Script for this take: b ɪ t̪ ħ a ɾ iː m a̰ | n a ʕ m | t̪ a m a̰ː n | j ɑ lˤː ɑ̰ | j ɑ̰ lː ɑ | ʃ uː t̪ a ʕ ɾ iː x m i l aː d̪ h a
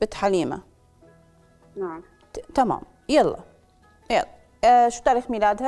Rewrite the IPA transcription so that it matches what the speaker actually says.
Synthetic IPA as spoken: b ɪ t̪ ħ a l iː m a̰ | n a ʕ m | t̪ a m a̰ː m | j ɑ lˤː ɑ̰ | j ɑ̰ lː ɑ | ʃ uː t̪ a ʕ ɾ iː x m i l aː d̪ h a